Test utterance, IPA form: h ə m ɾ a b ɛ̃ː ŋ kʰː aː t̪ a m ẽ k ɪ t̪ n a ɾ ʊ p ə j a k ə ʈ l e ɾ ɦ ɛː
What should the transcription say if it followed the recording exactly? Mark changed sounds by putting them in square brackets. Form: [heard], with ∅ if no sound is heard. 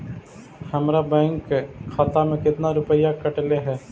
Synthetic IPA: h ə m ɾ a b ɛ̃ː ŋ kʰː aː t̪ a m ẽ k ɪ t̪ n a ɾ ʊ p ə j a k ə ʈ l e [∅] ɦ ɛː